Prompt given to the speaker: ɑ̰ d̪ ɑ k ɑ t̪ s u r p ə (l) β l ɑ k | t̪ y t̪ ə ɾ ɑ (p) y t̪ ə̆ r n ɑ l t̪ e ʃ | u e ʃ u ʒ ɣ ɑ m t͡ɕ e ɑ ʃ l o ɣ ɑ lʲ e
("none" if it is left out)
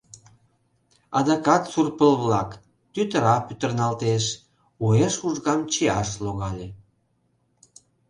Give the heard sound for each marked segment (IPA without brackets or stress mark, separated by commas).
l, p